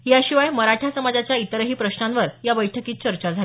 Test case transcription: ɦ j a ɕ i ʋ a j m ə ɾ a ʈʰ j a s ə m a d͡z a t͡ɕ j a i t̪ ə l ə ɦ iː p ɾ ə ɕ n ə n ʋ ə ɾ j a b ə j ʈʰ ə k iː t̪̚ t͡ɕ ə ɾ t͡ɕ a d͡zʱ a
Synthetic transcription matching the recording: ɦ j a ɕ i ʋ a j m ə ɾ a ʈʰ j a s ə m a d͡z a t͡ɕ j a i t̪ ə ɾ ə ɦ iː p ɾ ə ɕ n a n ʋ ə ɾ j a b ə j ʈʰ ə k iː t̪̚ t͡ɕ ə ɾ t͡ɕ a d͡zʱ a